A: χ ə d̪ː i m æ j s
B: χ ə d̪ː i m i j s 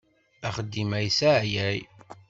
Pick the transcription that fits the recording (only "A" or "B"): A